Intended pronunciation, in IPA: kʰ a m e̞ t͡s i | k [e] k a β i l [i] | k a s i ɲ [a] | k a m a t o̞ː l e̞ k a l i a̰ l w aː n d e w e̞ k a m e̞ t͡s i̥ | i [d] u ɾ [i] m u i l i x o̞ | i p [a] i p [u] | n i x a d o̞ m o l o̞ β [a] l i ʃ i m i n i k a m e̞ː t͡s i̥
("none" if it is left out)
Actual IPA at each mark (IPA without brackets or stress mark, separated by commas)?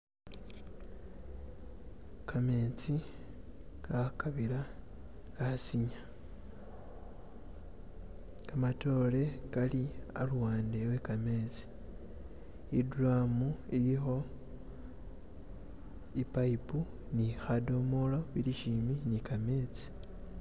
a, a, a, d, a, a, u, i